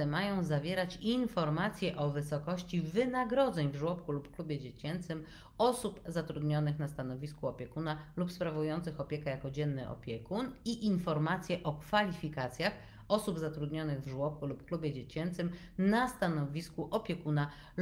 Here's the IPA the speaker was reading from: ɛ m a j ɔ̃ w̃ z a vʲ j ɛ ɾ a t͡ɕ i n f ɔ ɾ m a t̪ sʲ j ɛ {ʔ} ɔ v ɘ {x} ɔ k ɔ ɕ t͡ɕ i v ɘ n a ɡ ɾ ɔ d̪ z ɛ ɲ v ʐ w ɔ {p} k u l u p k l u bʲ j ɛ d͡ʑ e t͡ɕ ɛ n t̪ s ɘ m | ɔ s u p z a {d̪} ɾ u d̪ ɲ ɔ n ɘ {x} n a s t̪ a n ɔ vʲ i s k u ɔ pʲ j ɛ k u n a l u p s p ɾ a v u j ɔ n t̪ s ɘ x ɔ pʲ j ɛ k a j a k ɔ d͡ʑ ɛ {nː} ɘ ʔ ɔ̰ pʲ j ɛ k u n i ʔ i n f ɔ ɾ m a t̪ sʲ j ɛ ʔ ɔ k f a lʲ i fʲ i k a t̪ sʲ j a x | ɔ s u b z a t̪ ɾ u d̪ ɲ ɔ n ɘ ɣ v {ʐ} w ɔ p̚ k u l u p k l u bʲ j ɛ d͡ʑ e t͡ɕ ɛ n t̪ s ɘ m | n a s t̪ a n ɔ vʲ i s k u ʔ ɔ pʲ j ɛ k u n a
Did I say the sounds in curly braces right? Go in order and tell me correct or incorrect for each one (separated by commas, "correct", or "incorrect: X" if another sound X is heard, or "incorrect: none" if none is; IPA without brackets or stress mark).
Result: correct, incorrect: s, correct, incorrect: t̪, correct, correct, correct